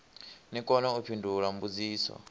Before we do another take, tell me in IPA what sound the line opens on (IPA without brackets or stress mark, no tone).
n